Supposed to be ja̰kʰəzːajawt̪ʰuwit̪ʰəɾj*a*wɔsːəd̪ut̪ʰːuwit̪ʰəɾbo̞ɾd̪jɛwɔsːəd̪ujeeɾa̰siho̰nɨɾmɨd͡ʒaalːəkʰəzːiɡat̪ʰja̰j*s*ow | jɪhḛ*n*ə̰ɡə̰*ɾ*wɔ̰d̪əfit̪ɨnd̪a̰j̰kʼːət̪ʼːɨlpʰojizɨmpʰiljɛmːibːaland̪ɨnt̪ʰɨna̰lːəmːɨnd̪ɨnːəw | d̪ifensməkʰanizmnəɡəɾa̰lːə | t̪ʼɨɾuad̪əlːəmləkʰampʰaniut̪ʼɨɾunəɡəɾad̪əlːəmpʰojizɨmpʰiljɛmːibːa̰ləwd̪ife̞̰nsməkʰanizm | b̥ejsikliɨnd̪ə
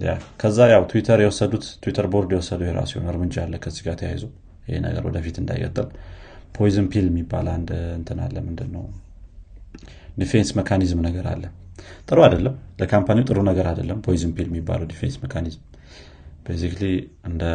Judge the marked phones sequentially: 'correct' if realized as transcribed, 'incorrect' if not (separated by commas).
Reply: incorrect, incorrect, correct, correct